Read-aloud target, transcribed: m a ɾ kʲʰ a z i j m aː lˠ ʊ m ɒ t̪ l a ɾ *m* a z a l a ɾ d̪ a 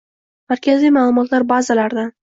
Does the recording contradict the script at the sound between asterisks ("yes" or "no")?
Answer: yes